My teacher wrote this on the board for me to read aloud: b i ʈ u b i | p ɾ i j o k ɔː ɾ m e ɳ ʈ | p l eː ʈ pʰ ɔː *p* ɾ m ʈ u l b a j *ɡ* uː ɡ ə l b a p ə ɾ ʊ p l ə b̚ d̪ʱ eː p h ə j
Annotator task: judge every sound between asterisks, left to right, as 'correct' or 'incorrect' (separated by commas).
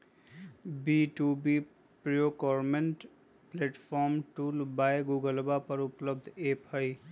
incorrect, correct